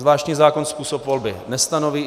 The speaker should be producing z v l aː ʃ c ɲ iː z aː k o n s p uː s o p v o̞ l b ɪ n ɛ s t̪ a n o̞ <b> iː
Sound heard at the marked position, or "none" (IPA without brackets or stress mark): v